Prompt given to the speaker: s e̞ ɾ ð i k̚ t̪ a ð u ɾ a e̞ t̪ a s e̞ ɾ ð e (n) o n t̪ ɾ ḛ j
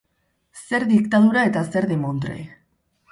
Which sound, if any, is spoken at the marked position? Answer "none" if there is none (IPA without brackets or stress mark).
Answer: m